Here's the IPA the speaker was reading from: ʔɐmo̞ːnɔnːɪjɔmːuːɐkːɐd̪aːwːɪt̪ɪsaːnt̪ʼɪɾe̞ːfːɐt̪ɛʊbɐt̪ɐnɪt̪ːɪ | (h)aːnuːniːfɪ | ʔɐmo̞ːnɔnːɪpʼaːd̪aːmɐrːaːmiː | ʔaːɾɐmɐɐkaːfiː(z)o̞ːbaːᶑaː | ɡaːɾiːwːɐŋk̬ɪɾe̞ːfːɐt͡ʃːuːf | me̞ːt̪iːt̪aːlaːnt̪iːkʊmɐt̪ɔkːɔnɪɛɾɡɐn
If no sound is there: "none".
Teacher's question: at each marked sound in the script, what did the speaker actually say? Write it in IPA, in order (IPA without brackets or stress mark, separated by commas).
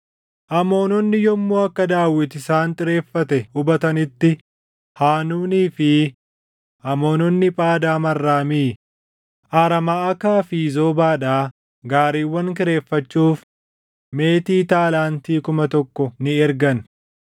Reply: h, z